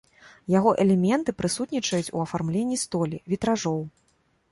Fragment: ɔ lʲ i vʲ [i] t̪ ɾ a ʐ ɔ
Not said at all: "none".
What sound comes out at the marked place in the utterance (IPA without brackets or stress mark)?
i